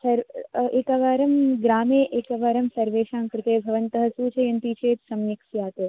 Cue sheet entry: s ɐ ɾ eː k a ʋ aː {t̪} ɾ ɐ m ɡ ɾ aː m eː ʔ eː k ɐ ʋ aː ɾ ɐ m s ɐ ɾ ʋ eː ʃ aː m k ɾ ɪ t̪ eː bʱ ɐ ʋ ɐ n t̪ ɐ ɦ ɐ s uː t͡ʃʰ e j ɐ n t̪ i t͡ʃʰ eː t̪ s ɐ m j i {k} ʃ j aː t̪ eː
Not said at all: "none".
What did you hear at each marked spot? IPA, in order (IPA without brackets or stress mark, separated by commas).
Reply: none, k